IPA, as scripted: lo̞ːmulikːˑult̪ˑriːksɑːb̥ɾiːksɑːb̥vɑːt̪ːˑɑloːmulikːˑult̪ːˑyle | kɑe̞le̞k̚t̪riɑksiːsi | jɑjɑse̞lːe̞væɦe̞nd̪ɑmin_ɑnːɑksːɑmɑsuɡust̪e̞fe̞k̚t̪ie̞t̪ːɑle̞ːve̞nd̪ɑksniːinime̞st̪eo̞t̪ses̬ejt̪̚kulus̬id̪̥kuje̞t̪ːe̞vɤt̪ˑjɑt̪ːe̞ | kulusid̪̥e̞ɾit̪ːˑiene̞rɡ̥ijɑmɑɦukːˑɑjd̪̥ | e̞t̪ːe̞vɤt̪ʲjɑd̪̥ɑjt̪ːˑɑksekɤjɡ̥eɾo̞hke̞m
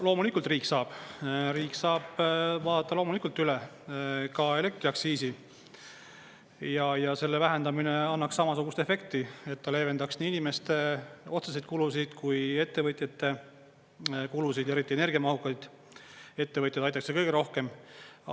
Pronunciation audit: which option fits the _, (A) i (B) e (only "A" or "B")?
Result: B